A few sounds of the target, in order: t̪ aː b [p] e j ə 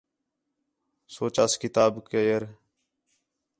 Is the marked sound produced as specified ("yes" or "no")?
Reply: no